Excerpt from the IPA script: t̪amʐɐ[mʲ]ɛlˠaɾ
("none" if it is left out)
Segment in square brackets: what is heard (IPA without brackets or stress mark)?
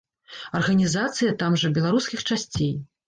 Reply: bʲ